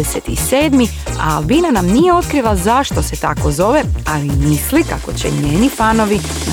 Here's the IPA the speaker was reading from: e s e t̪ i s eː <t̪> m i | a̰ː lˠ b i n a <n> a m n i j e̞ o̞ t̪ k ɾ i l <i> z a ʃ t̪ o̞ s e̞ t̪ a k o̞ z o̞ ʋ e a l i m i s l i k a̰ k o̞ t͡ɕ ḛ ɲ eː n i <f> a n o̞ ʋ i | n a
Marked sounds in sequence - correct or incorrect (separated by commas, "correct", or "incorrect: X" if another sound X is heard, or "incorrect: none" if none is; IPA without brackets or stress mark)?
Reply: incorrect: d̪, correct, incorrect: a, correct